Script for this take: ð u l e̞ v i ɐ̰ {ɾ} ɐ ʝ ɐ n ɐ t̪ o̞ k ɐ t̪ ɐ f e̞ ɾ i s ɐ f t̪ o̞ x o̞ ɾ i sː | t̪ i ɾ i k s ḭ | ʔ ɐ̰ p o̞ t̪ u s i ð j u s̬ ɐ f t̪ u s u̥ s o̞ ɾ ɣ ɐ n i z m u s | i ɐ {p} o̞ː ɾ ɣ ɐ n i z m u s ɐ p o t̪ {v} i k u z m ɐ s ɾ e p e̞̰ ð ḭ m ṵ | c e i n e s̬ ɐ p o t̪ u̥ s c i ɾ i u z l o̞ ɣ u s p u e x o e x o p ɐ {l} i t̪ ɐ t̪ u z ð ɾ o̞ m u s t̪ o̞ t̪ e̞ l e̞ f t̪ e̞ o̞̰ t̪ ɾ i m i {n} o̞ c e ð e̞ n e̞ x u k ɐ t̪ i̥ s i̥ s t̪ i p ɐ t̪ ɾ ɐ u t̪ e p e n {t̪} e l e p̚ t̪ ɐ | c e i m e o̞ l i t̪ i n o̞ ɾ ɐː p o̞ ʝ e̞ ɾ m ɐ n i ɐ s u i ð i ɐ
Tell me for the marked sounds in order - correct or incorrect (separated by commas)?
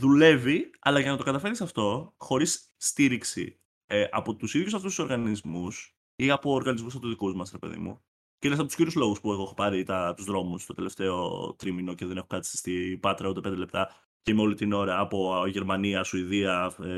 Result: incorrect, correct, incorrect, incorrect, correct, incorrect